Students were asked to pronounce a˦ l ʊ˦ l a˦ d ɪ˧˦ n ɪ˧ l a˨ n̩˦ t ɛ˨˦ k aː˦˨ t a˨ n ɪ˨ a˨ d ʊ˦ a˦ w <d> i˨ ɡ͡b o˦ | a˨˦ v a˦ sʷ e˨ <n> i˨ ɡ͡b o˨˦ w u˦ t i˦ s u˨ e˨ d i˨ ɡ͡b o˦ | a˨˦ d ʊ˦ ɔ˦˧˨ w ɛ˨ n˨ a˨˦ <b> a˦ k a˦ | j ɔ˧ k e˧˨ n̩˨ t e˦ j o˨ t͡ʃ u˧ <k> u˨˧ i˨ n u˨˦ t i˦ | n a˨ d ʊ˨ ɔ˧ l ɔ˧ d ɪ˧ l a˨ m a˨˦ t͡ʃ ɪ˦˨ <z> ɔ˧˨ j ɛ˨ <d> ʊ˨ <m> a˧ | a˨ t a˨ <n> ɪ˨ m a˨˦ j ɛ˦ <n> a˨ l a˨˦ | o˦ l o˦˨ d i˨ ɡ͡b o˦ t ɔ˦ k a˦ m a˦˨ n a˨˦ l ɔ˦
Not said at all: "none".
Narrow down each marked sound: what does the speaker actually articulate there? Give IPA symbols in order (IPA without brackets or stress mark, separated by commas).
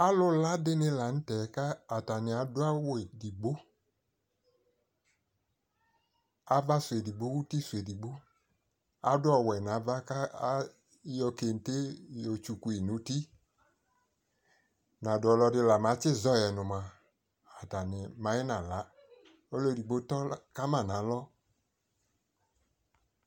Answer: d, d, v, k, z, n, m, n, n